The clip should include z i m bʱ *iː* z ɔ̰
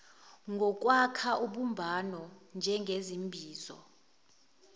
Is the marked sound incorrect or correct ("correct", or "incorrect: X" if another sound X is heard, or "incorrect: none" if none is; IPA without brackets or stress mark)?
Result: correct